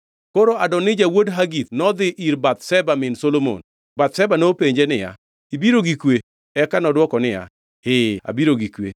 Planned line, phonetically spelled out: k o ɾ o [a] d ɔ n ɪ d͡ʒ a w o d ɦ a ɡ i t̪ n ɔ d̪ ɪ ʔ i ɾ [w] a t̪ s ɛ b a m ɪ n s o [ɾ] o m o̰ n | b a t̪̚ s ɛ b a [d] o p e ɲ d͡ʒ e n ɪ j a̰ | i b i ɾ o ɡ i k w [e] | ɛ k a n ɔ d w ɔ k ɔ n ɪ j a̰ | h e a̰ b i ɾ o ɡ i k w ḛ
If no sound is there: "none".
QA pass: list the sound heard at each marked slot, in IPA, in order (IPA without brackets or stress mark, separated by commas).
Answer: a, b, l, n, e